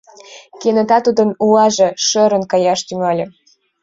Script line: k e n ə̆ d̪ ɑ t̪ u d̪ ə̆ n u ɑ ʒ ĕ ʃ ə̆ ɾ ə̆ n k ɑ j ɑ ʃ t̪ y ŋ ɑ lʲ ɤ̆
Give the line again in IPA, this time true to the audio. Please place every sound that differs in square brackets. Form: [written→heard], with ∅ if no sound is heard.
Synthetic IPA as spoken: k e n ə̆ [d̪→t̪] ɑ t̪ u d̪ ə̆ n u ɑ ʒ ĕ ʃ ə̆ ɾ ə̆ n k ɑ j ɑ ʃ t̪ y ŋ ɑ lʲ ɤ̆